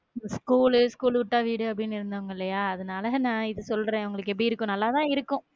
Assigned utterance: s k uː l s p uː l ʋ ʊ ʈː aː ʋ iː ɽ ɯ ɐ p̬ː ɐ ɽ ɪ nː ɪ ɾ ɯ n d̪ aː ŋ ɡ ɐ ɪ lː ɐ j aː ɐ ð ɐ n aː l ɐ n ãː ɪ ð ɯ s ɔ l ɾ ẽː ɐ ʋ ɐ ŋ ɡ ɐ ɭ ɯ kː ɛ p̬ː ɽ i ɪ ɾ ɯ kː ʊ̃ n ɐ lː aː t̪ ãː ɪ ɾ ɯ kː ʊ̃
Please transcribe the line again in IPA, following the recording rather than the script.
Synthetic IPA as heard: s k uː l s k uː l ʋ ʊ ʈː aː ʋ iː ɽ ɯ ɐ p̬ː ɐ ɽ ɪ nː ɪ ɾ ɯ n d̪ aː ŋ ɡ ɐ ɪ lː ɐ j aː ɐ ð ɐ n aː l ɐ n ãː ɪ ð ɯ s ɔ l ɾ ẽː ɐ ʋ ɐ ŋ ɡ ɐ ɭ ɯ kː ɛ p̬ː ɽ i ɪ ɾ ɯ kː ʊ̃ n ɐ lː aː t̪ ãː ɪ ɾ ɯ kː ʊ̃